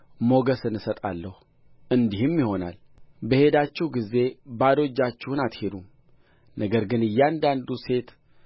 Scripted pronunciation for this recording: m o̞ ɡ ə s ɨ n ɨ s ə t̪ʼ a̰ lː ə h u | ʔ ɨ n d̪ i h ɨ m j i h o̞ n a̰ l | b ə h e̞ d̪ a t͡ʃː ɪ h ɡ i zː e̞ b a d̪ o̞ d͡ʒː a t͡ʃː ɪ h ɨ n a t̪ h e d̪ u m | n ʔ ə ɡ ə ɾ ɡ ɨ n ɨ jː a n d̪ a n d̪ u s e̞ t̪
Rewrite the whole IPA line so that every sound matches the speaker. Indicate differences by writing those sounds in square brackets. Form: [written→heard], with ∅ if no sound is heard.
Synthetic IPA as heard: m o̞ ɡ ə s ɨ n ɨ s ə t̪ʼ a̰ lː ə h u | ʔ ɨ n d̪ i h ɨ m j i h o̞ n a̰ l | b ə h e̞ d̪ a t͡ʃː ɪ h ɡ i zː e̞ b a d̪ o̞ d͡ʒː a t͡ʃː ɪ h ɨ n a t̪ h e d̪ u m | n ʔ ə ɡ ə ɾ ɡ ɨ n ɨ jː a n d̪ a n d̪ u s e̞ t̪